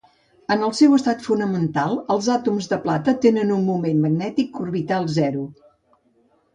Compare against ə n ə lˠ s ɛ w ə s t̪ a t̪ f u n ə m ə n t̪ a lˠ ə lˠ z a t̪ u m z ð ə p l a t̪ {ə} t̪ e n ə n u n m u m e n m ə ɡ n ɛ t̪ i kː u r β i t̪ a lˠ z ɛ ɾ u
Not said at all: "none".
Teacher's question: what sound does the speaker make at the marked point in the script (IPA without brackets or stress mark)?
ə